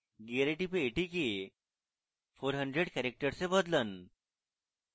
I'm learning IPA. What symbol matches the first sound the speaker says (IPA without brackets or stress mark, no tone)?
ɡ